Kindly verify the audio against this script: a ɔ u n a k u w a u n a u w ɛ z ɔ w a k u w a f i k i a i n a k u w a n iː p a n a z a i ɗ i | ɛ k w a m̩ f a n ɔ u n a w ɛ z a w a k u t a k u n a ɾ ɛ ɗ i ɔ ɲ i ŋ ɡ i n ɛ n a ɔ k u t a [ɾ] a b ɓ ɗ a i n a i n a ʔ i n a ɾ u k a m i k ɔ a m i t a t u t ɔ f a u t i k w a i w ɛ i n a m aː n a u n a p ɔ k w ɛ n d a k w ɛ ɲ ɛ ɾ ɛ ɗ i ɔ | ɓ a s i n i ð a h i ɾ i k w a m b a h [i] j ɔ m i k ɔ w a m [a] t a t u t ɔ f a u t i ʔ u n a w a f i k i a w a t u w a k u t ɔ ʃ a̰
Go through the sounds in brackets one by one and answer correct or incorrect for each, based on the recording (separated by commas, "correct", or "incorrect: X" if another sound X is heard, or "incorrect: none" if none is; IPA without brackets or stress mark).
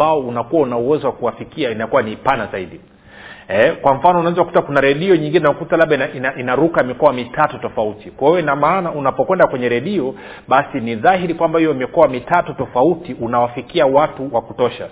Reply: incorrect: l, correct, incorrect: i